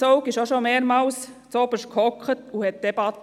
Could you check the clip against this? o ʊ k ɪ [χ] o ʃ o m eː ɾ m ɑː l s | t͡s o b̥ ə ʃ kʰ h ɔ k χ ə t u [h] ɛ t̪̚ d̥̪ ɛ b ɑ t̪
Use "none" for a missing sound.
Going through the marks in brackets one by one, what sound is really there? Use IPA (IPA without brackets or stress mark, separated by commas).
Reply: ʃ, h